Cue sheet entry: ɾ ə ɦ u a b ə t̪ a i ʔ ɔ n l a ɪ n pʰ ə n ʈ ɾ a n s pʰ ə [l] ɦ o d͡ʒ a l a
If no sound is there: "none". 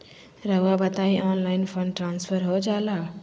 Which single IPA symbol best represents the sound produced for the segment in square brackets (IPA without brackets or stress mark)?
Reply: ɾ